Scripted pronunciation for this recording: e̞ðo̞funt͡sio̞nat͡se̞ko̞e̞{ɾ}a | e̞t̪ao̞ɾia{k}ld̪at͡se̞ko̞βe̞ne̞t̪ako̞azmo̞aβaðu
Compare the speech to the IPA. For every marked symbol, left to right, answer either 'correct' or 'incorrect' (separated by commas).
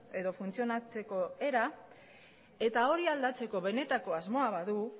correct, incorrect